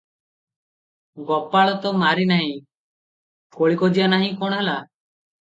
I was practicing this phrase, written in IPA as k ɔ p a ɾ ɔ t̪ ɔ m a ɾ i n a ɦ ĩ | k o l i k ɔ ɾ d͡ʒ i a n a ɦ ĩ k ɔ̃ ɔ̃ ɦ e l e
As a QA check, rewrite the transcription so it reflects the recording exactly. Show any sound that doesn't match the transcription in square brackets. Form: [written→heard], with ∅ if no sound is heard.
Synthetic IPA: [k→ɡ] ɔ p a [ɾ→ɭ] ɔ t̪ ɔ m a ɾ i n a ɦ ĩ | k o [l→ɭ] i k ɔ [ɾ→∅] d͡ʒ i a n a ɦ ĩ k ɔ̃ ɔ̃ ɦ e l [e→a]